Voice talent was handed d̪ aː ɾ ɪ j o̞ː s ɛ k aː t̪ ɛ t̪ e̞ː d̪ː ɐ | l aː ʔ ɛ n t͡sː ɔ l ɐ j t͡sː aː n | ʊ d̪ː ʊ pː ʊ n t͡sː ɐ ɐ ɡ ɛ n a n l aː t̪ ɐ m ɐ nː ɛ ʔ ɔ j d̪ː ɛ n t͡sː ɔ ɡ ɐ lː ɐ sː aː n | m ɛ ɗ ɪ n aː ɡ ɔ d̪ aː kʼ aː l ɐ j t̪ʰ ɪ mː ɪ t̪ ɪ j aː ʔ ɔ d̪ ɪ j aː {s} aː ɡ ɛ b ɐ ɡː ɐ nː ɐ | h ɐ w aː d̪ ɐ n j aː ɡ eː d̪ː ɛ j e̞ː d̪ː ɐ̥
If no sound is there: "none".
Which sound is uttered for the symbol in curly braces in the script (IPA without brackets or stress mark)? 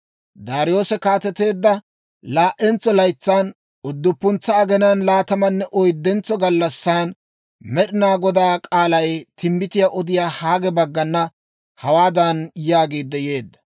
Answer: h